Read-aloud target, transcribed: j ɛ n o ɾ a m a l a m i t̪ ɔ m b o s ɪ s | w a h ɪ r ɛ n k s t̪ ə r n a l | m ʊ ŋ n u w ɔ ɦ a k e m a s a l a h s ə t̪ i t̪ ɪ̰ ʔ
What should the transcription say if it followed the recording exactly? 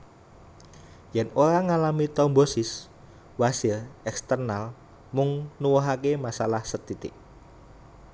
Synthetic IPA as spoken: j ɛ n o ɾ a ŋ a l a m i t̪ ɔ m b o s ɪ s | w a s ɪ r ɛ k s t̪ ə r n a l | m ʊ ŋ n u w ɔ ɦ a k e m a s a l a h s ə t̪ i t̪ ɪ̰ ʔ